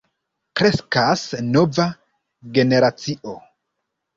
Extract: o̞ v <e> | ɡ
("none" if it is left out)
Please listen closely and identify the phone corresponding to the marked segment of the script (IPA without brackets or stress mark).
a